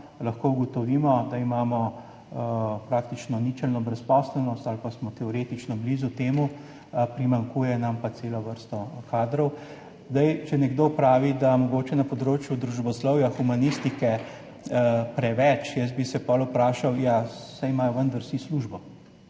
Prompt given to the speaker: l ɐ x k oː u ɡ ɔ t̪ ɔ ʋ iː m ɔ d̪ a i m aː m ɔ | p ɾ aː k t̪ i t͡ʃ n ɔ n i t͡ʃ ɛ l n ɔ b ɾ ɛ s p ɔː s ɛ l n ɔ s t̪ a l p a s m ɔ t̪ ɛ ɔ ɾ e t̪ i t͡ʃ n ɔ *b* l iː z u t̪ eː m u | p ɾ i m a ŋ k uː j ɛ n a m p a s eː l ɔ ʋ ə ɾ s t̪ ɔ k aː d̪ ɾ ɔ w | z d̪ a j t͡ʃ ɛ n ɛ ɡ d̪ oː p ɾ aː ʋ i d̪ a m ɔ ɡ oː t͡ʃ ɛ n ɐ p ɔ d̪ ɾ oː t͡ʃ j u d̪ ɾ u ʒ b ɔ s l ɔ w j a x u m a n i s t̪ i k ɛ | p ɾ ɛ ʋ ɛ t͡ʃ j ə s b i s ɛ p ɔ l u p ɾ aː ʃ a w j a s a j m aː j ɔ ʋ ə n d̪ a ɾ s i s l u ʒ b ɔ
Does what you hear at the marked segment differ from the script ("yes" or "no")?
no